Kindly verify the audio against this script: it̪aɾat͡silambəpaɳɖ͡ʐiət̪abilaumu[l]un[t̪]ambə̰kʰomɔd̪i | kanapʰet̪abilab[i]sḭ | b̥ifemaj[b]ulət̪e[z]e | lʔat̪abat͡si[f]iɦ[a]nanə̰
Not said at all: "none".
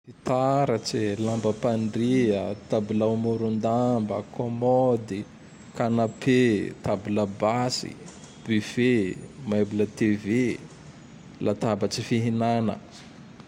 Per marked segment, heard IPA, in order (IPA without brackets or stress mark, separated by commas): ɾ, d̪, a, b, v, f, i